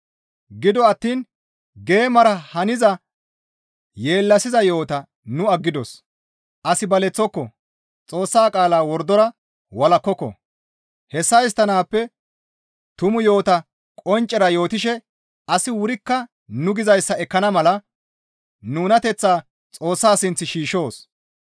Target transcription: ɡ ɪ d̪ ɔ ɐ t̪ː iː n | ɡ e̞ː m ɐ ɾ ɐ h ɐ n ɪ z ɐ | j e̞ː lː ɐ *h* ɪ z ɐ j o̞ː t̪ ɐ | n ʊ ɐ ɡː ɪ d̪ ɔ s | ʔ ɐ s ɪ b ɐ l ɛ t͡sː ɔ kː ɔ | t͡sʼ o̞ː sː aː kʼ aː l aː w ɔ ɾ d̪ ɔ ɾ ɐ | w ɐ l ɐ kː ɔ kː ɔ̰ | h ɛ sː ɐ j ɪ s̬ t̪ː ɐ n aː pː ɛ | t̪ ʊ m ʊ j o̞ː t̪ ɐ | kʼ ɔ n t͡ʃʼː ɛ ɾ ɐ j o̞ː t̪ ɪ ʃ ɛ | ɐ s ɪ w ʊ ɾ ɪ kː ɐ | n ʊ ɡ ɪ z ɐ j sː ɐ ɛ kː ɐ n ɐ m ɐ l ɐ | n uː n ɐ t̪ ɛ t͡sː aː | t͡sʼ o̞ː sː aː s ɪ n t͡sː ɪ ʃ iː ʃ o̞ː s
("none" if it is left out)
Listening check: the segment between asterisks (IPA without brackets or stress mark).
s